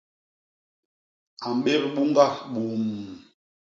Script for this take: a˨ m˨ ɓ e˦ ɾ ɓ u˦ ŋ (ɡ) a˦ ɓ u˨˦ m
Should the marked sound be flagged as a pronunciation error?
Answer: no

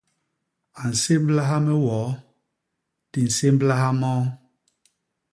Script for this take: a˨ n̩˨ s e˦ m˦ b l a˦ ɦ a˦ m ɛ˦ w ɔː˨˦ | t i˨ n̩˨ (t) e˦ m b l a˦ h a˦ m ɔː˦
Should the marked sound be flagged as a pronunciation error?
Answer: yes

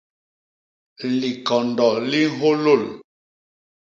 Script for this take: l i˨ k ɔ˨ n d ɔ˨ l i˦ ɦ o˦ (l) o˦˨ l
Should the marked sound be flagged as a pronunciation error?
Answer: no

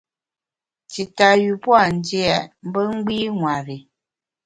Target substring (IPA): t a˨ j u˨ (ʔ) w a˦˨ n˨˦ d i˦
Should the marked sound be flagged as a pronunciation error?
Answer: yes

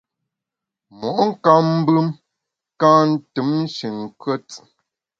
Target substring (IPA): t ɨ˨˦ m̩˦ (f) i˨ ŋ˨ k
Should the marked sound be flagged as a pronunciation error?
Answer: yes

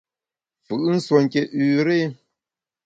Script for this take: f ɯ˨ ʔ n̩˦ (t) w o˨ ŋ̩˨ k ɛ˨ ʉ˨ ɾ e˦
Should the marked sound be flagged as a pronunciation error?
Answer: yes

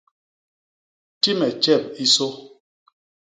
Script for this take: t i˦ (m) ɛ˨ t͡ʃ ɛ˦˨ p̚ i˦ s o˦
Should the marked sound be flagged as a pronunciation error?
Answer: no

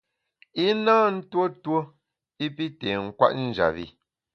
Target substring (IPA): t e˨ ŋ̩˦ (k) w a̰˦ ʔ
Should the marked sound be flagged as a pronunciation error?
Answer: no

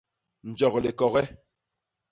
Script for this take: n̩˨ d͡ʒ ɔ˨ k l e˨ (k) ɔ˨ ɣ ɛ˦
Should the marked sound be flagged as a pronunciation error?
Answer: no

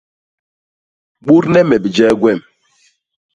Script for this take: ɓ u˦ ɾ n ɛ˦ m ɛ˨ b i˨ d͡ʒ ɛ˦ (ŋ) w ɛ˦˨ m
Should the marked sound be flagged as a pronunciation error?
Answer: yes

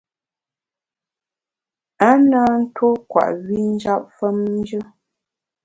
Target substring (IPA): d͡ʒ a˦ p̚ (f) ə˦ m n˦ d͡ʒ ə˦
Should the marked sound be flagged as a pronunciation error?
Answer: no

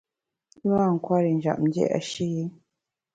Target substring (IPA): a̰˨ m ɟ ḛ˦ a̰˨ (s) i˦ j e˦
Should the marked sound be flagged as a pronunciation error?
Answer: yes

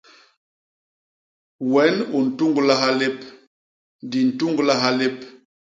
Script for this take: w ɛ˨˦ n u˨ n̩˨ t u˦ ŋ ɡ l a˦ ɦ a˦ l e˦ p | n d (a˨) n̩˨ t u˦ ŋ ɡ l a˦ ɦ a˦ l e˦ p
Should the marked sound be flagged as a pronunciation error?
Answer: yes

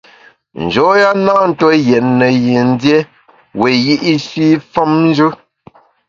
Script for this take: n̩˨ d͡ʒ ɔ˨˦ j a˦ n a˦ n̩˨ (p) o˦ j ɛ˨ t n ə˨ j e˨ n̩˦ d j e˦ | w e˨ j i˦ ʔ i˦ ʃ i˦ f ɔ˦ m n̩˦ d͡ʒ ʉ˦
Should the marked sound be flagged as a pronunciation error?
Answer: yes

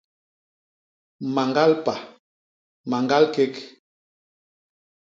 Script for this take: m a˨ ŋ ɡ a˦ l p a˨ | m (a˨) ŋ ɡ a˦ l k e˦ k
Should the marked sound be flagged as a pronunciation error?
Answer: no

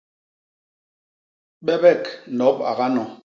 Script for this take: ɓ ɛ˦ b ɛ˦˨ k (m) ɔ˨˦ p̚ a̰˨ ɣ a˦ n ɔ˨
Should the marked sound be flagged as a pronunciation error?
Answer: yes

